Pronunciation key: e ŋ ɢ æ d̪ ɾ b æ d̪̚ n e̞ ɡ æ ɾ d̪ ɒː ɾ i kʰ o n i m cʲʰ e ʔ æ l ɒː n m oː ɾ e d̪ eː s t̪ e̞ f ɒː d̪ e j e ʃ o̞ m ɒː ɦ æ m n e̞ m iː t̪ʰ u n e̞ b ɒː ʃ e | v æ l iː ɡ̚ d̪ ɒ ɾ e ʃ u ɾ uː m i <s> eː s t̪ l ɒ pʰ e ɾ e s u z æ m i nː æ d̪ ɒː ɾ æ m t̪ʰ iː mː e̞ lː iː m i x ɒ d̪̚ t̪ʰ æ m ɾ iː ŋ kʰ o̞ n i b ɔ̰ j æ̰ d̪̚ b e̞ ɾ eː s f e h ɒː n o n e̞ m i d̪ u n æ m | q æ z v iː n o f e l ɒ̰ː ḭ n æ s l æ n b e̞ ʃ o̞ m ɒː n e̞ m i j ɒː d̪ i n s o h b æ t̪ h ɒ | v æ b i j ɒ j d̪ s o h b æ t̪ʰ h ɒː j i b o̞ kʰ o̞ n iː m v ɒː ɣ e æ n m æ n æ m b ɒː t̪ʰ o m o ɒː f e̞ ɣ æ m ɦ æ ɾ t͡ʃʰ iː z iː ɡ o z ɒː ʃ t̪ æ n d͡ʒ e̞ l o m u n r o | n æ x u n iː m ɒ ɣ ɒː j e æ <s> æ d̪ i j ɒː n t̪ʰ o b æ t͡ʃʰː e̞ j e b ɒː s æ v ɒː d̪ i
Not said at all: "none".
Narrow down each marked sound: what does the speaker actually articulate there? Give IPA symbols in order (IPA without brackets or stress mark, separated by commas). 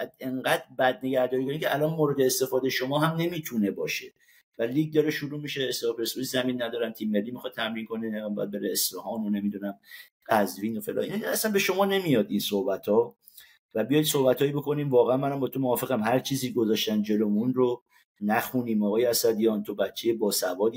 ʃ, s